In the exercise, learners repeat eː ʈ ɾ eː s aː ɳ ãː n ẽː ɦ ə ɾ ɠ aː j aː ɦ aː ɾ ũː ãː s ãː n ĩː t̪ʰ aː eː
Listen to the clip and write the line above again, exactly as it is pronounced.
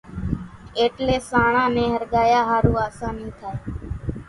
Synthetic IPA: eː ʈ l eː s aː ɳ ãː n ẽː ɦ ə ɾ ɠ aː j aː ɦ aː ɾ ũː aː s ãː n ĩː t̪ʰ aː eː